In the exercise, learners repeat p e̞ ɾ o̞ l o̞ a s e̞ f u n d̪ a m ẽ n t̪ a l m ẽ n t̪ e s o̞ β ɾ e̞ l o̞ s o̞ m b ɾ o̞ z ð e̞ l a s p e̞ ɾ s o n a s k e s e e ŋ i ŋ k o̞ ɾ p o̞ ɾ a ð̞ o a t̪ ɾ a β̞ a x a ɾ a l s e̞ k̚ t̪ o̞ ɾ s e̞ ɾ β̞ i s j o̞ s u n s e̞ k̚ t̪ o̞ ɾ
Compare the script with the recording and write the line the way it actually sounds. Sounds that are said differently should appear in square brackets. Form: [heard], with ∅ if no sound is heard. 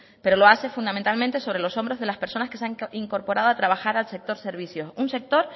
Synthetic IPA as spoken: p e̞ ɾ o̞ l o̞ a s e̞ f u n d̪ a m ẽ n t̪ a l m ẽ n t̪ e s o̞ β ɾ e̞ l o̞ s o̞ m b ɾ o̞ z ð e̞ l a s p e̞ ɾ s o n a s k e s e [a] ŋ i ŋ k o̞ ɾ p o̞ ɾ a ð̞ o a t̪ ɾ a β̞ a x a ɾ a l s e̞ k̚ t̪ o̞ ɾ s e̞ ɾ β̞ i s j o̞ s u n s e̞ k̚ t̪ o̞ ɾ